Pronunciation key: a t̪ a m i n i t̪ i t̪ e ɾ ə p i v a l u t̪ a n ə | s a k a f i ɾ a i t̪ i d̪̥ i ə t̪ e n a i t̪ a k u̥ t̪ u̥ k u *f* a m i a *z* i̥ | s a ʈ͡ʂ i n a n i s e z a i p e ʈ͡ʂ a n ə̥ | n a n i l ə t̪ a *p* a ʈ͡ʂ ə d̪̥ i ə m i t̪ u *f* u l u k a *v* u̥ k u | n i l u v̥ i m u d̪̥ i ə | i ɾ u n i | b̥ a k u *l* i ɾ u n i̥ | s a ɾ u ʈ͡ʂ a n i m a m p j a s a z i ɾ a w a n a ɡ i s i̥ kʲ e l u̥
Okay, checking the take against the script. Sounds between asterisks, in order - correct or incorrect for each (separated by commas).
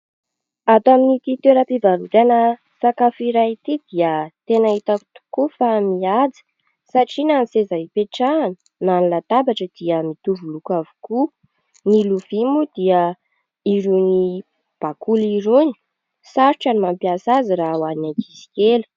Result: correct, incorrect, incorrect, incorrect, correct, correct